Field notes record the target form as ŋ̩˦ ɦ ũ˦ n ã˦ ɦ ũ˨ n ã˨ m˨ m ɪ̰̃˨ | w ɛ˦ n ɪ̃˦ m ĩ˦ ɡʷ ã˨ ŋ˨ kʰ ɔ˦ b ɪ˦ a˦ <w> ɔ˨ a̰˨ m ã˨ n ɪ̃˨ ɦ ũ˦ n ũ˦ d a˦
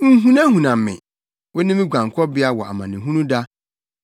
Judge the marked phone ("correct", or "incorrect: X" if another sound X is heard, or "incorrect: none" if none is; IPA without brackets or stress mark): correct